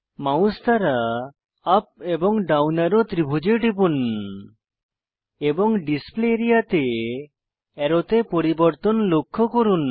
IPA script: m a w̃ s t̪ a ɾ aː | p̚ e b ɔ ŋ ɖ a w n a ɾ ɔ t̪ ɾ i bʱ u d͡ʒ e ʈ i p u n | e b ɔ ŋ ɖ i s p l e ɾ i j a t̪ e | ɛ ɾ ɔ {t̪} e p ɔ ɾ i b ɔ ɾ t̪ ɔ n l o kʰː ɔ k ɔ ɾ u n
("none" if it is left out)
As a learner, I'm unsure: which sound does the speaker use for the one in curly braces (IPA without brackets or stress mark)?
t̪